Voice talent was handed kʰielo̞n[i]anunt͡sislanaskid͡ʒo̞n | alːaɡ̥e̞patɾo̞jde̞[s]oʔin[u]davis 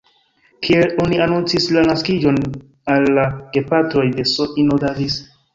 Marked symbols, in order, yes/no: yes, yes, no

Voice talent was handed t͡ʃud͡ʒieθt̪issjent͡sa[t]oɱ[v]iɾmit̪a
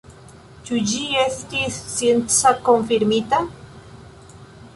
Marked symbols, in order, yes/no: no, no

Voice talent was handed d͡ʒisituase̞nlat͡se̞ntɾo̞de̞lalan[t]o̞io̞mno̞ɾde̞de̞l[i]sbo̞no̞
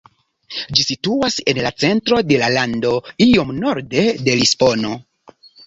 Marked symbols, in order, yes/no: no, yes

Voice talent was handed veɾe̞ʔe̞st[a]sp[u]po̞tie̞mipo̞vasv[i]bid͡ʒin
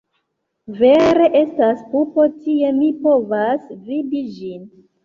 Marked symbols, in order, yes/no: yes, yes, yes

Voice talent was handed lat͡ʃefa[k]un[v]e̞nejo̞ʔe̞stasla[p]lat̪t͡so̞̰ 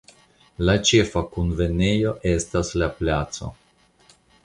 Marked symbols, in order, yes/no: yes, yes, yes

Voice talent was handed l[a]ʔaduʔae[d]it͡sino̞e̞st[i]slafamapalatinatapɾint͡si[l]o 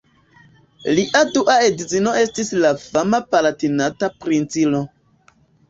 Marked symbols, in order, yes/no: no, yes, yes, yes

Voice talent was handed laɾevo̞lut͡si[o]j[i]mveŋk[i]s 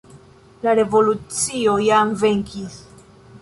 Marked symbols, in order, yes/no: yes, no, yes

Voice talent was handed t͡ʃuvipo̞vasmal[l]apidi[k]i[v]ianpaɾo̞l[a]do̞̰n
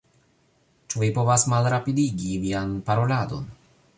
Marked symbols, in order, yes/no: no, no, yes, yes

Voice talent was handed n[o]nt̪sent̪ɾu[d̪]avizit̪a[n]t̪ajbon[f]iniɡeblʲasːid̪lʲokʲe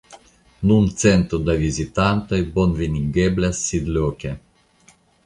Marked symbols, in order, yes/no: no, yes, yes, no

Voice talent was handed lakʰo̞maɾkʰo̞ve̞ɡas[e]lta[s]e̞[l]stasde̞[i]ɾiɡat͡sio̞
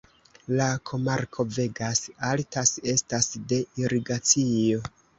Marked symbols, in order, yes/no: no, yes, no, yes

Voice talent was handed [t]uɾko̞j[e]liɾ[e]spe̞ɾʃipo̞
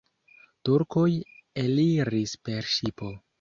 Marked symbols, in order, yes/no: yes, yes, no

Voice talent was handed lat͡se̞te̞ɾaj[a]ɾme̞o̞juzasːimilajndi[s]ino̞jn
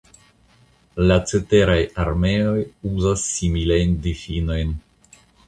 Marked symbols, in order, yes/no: yes, no

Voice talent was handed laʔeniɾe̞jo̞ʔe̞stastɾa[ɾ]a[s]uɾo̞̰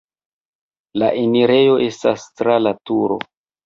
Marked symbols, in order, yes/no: no, no

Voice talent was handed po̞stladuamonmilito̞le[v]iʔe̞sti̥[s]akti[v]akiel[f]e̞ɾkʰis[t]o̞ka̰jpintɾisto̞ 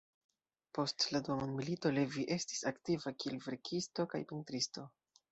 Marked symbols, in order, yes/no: yes, yes, yes, no, yes

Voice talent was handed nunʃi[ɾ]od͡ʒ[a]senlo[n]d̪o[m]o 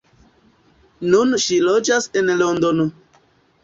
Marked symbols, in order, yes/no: no, yes, yes, no

